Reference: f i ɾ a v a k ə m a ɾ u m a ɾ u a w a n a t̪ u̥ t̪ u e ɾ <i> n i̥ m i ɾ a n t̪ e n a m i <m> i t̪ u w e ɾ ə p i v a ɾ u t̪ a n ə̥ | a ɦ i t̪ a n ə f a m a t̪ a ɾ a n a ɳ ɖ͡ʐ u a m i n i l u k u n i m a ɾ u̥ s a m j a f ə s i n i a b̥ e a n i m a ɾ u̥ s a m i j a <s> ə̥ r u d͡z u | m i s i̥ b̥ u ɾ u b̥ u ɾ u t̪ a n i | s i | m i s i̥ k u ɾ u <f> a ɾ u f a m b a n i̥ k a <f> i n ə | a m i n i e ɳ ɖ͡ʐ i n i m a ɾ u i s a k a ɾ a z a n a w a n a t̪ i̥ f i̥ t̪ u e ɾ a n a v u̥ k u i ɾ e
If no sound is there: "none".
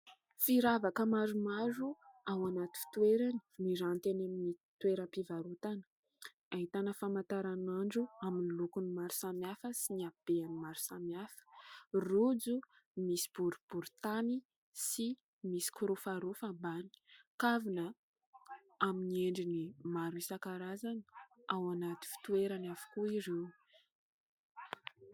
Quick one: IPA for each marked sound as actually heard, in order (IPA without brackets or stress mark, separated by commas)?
a, n, f, f, v